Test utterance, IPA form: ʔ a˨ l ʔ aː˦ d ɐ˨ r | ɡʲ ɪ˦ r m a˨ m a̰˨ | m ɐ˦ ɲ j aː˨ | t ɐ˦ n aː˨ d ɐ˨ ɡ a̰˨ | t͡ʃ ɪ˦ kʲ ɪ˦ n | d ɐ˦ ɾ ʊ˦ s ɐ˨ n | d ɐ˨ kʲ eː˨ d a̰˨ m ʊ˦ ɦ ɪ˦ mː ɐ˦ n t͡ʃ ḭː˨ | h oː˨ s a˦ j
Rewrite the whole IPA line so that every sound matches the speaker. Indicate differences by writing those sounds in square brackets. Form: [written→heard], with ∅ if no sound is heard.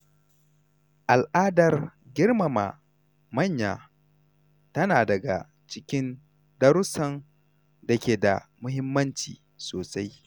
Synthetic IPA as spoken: ʔ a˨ l ʔ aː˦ d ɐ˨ r | ɡʲ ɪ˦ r m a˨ m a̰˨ | m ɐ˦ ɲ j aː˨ | t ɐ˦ n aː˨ d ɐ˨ ɡ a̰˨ | t͡ʃ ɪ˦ kʲ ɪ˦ n | d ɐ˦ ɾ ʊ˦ s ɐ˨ n | d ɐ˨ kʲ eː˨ d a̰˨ m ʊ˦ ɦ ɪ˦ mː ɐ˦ n t͡ʃ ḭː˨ | [h→s] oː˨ s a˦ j